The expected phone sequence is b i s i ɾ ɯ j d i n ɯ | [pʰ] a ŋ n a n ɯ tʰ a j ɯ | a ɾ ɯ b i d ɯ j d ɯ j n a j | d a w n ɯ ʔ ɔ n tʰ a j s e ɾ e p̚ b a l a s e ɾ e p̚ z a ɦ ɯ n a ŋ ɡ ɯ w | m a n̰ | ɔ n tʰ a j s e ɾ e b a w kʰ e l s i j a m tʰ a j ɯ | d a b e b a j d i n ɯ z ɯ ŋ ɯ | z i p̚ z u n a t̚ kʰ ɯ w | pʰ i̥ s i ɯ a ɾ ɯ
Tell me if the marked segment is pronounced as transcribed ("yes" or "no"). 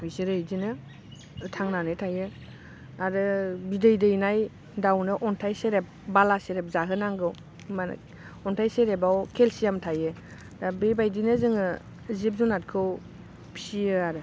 no